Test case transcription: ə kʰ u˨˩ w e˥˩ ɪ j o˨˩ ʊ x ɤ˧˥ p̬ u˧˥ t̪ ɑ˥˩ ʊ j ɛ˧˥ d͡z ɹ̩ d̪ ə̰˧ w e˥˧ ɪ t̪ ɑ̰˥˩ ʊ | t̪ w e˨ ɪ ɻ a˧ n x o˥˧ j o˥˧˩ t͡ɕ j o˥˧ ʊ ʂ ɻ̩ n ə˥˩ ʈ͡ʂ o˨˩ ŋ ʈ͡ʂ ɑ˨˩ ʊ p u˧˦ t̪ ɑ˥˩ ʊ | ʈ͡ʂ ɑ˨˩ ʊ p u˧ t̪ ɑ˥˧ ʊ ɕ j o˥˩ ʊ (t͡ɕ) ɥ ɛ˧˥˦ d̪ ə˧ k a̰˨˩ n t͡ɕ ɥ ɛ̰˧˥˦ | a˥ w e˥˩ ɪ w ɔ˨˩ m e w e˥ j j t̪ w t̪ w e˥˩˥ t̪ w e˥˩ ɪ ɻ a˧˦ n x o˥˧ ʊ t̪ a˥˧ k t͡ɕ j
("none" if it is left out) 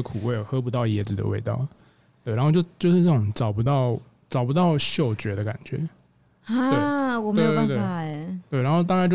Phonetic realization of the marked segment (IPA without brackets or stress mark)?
t͡ɕ